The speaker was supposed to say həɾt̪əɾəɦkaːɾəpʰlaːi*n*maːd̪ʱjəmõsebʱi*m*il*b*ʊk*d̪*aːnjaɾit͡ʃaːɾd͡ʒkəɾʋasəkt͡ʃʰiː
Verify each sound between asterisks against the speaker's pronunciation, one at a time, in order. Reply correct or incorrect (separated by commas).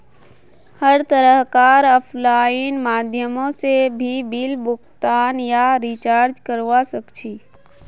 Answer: correct, incorrect, correct, incorrect